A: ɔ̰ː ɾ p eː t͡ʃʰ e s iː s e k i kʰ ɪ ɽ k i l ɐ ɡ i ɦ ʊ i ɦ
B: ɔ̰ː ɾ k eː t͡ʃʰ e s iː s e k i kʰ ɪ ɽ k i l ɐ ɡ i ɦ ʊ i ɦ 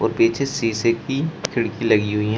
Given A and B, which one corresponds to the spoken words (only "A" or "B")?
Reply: A